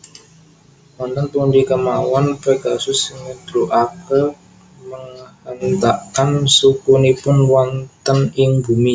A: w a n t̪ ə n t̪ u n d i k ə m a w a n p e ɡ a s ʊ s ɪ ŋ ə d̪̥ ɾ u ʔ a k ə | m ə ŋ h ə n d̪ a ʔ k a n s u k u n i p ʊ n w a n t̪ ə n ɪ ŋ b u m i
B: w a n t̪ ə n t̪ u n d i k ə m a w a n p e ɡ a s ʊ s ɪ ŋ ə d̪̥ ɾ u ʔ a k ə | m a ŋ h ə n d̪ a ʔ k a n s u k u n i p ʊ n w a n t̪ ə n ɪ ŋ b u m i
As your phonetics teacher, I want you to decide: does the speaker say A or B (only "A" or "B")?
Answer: A